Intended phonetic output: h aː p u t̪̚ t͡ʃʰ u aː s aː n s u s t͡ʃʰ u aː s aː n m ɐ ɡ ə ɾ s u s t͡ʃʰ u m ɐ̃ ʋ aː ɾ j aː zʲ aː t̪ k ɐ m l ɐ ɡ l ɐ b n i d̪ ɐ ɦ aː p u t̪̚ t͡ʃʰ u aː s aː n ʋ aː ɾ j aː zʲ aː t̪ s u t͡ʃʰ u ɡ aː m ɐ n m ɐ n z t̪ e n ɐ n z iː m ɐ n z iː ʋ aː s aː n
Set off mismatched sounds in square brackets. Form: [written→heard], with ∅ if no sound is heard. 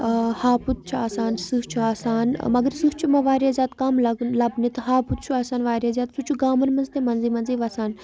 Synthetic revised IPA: h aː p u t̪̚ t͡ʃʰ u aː s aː n s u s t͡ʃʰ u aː s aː n m ɐ ɡ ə ɾ s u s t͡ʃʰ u m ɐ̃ ʋ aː ɾ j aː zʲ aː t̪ k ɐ m l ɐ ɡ l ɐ b n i [d̪→t̪] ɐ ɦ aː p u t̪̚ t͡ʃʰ u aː s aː n ʋ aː ɾ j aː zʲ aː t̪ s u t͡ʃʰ u ɡ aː m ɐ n m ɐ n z t̪ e [n→m] ɐ n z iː m ɐ n z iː ʋ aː s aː n